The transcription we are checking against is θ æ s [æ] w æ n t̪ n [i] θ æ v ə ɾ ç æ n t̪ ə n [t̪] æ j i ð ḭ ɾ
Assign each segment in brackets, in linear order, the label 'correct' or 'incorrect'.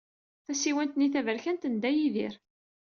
incorrect: i, correct, incorrect: d̪

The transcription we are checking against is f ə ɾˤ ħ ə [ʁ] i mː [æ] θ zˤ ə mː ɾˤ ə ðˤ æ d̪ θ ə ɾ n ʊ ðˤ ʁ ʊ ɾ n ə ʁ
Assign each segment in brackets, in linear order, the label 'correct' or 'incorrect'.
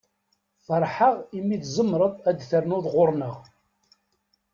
correct, incorrect: i

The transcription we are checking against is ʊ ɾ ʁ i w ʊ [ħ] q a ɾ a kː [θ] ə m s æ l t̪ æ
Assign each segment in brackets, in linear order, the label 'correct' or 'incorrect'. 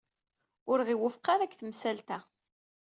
incorrect: f, correct

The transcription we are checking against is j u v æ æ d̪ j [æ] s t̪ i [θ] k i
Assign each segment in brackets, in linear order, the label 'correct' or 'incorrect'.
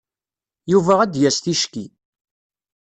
correct, incorrect: ʃ

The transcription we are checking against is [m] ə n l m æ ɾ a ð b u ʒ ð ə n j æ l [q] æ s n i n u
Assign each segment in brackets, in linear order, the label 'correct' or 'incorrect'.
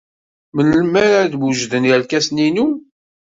correct, incorrect: k

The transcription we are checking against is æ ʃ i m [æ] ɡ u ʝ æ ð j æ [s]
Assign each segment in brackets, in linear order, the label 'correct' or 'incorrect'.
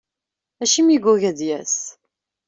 incorrect: i, correct

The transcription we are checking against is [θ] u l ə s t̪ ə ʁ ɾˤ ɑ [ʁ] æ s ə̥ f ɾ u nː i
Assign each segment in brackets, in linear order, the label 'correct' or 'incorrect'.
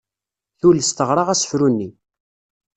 correct, correct

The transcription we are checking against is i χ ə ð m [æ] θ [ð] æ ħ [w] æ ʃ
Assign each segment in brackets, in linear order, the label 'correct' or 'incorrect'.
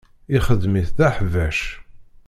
incorrect: i, correct, incorrect: v

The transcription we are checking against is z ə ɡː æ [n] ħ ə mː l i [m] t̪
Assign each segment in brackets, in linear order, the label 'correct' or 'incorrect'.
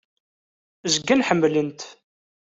correct, incorrect: n

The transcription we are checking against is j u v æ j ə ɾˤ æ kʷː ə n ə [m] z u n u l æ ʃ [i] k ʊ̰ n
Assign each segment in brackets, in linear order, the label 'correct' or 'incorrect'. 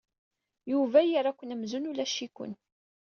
correct, correct

